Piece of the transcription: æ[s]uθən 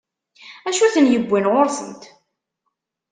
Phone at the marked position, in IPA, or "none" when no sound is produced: ʃ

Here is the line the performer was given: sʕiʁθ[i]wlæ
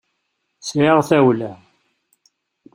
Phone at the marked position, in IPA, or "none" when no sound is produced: æ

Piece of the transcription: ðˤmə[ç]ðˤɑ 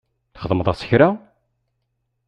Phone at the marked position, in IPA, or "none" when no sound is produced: none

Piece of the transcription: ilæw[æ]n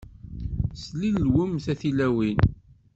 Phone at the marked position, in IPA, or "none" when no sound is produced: i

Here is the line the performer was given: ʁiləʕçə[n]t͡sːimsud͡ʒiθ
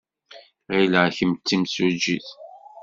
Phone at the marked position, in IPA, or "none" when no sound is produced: m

